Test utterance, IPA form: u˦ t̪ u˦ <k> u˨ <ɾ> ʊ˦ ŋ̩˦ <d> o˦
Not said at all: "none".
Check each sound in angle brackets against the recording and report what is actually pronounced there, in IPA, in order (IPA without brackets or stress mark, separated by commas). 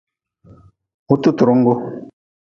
t, ɾ, ɡ